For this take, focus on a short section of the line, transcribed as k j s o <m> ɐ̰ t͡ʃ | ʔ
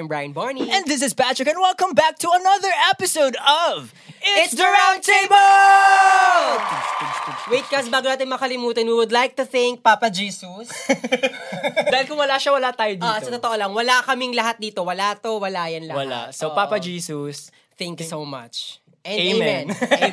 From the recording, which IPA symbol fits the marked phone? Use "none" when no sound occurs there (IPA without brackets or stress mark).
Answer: m